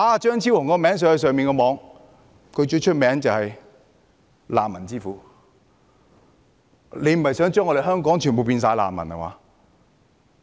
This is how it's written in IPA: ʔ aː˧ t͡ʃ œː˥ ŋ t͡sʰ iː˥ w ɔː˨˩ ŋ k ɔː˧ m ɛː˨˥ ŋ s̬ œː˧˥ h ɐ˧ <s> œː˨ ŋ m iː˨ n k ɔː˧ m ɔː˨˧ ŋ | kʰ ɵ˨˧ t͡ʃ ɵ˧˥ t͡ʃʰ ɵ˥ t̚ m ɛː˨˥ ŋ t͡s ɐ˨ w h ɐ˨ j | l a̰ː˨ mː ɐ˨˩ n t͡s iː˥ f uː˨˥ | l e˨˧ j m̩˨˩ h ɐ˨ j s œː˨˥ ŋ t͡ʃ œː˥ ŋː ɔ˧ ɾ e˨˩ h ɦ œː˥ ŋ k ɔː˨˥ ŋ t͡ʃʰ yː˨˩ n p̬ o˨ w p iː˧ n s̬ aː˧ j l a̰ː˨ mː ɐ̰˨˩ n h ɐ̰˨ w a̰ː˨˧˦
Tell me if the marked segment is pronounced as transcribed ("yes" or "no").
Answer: yes